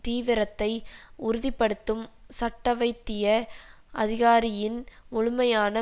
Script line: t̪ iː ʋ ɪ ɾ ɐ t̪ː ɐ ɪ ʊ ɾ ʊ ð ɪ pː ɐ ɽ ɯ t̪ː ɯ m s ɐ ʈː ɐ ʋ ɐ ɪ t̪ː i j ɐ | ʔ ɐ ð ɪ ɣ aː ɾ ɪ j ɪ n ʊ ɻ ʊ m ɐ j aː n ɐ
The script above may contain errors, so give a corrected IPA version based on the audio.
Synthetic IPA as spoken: t̪ iː ʋ ɪ ɾ ɐ t̪ː ɐ ɪ ʊ ɾ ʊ ð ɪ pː ɐ ɽ ɯ t̪ː ɯ m s ɐ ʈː ɐ ʋ ɐ ɪ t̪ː ɪ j ɐ | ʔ ɐ ð ɪ ɣ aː ɾ ɪ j ɪ n ʊ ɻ ʊ m ɐ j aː n ɐ